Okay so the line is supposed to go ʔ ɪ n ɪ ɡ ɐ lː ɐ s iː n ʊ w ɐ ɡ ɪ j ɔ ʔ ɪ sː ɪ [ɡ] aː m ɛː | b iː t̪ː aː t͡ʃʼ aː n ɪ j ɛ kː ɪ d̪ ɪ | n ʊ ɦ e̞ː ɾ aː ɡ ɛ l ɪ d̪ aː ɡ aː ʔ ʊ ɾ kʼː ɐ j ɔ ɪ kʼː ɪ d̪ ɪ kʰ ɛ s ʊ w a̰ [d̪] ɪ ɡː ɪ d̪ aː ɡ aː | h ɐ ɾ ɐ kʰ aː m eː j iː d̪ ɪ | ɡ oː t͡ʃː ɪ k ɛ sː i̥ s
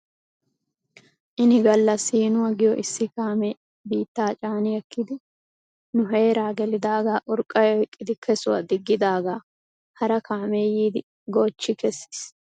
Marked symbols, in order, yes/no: no, yes

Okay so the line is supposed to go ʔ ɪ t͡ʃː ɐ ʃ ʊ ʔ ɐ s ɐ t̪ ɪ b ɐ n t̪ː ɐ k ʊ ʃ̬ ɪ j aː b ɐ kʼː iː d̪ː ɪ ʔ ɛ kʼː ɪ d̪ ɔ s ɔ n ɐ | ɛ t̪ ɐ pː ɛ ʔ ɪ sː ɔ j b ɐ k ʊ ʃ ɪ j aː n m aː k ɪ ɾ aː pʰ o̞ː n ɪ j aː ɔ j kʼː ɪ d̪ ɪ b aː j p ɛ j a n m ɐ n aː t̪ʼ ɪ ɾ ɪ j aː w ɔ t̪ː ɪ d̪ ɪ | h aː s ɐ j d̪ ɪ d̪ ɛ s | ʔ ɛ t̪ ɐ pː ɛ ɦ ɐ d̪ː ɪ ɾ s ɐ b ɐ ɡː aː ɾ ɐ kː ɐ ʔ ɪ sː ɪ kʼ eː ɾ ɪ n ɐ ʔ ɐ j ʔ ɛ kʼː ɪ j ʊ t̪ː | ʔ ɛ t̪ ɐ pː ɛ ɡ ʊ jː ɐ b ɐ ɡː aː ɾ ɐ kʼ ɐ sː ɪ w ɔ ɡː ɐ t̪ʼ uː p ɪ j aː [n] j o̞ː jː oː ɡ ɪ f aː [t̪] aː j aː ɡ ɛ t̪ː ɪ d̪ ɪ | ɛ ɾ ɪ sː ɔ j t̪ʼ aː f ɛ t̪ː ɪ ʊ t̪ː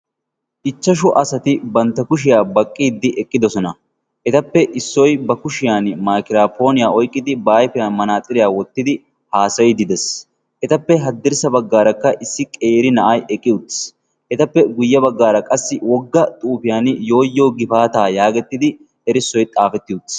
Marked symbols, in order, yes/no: yes, yes

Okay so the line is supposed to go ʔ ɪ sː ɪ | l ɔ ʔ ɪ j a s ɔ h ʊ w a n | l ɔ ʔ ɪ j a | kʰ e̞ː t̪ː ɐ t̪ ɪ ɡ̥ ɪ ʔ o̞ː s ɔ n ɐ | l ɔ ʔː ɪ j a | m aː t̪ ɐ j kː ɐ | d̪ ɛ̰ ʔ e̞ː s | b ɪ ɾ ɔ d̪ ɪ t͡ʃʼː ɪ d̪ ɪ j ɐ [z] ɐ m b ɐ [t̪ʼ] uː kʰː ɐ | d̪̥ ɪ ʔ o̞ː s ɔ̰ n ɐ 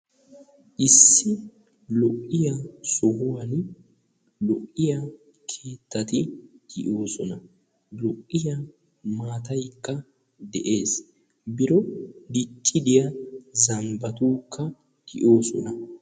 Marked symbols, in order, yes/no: yes, no

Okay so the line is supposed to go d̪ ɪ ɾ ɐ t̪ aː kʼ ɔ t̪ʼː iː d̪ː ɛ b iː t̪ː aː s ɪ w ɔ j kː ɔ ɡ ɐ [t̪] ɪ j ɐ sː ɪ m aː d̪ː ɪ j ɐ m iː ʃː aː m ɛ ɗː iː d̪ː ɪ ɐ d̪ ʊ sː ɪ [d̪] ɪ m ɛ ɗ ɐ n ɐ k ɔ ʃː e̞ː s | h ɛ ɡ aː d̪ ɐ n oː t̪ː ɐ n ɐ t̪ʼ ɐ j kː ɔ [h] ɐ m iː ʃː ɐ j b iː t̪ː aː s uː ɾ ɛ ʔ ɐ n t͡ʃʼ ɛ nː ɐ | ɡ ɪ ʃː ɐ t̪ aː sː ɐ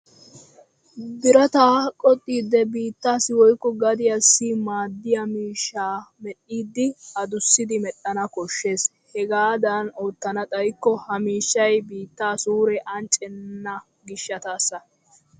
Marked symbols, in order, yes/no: no, yes, yes

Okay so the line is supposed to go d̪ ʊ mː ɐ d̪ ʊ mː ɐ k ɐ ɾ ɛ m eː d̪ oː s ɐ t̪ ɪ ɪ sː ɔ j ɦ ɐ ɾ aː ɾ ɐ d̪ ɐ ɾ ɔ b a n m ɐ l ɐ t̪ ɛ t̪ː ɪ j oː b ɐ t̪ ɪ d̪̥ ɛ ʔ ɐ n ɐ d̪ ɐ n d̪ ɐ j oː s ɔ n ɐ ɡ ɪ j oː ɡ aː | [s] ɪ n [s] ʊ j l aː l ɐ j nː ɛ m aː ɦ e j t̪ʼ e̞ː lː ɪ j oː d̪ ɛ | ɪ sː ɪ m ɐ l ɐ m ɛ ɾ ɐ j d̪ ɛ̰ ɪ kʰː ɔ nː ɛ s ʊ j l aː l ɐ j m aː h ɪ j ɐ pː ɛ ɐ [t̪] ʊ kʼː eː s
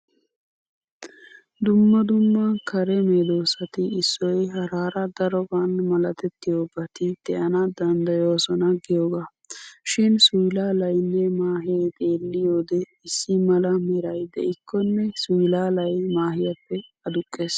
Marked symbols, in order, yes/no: no, yes, no

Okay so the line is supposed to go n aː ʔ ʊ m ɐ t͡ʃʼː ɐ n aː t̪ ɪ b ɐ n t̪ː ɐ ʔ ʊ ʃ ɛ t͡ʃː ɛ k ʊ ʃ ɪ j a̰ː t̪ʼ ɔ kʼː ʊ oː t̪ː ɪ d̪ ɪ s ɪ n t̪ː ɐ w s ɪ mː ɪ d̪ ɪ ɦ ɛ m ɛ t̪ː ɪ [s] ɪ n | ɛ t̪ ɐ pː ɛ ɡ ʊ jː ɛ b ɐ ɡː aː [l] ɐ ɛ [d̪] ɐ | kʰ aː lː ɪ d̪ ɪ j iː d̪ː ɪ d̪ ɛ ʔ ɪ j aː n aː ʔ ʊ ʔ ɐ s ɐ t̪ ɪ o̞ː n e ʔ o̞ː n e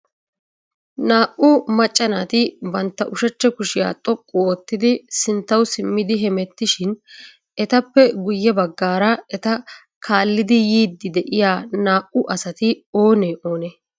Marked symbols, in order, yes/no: no, no, no

